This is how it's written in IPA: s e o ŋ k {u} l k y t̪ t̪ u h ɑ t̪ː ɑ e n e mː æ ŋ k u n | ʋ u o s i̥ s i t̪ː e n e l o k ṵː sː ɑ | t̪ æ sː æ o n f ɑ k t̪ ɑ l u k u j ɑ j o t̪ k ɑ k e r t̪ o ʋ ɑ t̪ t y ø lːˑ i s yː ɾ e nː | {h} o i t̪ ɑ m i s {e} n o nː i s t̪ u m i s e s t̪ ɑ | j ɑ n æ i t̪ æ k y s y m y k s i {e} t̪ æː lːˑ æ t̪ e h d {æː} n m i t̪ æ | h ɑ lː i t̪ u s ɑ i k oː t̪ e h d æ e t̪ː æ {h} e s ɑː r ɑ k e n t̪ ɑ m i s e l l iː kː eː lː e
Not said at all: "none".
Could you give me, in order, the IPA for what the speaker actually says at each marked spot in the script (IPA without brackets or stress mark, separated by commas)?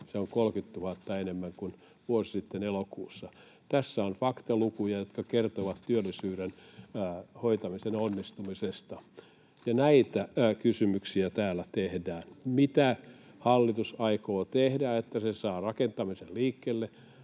o, h, e, æ, æː, s